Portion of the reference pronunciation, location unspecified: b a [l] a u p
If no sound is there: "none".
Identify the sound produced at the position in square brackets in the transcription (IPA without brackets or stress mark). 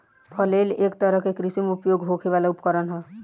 l